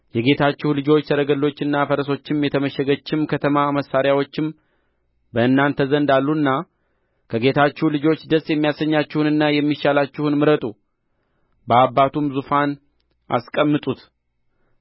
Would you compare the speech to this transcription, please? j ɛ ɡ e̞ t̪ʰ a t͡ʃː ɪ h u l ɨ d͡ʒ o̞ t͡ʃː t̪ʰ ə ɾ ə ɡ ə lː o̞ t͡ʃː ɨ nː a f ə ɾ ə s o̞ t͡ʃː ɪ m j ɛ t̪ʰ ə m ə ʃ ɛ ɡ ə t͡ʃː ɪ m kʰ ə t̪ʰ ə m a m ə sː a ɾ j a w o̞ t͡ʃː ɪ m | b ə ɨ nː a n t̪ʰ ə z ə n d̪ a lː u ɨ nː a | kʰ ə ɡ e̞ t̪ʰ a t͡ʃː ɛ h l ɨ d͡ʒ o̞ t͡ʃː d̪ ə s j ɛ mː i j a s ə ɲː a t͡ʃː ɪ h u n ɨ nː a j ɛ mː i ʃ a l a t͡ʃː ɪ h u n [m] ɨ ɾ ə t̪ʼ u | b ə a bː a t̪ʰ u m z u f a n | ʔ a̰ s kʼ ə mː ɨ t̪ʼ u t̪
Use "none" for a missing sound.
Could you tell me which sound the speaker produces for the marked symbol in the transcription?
m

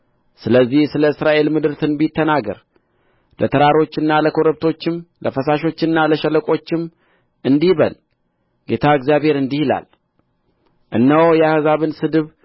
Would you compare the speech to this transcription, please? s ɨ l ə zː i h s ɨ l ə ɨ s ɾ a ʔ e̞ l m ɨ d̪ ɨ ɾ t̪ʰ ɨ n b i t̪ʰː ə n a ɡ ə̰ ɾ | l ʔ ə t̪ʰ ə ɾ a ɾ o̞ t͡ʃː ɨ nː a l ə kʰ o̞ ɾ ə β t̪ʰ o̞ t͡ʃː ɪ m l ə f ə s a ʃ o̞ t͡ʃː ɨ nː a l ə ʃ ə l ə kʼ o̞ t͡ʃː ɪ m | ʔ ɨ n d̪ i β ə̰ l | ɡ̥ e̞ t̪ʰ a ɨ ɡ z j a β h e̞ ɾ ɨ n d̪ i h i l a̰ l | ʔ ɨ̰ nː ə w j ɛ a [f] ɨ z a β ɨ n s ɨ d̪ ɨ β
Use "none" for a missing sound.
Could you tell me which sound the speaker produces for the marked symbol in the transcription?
h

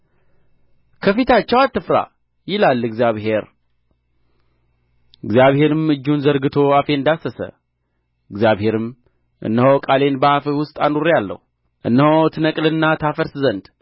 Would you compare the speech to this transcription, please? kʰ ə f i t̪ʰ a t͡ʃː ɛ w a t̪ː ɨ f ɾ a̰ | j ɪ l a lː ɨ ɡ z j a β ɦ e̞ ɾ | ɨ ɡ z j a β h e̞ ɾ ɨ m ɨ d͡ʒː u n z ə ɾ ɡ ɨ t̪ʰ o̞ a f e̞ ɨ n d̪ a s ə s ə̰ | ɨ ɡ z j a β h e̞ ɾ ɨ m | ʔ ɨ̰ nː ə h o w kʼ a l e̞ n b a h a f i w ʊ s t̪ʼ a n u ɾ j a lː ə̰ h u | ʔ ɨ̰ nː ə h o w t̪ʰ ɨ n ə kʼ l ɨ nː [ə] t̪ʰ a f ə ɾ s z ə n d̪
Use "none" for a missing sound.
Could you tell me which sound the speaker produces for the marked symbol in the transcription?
a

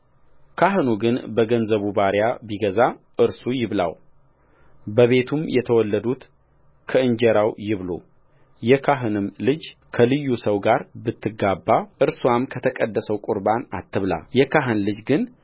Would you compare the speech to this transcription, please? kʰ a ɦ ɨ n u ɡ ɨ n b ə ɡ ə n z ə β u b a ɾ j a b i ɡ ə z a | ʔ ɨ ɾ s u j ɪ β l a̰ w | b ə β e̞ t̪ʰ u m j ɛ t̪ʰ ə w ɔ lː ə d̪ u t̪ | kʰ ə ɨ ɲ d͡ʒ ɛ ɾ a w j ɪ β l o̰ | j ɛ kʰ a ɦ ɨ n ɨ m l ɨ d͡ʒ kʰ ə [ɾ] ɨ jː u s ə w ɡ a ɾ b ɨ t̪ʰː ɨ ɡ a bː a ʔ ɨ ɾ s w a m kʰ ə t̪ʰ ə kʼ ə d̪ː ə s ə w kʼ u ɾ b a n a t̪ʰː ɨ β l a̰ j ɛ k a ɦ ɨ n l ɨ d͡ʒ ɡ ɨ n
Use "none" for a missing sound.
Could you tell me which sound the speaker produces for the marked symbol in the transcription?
l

